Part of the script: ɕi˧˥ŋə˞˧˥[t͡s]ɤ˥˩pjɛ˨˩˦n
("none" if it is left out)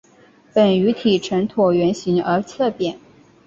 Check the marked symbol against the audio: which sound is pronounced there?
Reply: t͡sʰ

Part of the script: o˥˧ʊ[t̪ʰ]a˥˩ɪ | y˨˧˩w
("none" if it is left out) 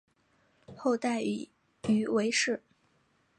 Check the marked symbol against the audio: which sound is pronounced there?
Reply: t̪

